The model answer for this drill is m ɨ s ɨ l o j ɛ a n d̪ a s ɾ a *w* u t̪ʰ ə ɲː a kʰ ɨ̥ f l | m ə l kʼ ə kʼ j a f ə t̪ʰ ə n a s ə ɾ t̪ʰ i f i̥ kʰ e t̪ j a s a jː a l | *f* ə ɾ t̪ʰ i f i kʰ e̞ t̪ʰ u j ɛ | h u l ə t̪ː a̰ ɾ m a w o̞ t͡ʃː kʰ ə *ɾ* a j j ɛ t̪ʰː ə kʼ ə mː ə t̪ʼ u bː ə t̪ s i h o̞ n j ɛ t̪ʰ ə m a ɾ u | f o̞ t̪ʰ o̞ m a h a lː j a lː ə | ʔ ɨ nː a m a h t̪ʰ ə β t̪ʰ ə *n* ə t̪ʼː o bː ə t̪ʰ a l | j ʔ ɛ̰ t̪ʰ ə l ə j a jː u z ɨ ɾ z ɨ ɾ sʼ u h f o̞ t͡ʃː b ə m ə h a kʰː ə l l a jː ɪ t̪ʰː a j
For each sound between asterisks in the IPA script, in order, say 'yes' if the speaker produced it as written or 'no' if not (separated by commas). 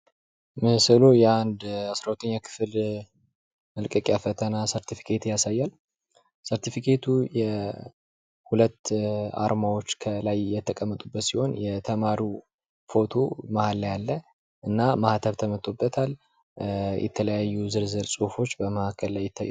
yes, no, no, no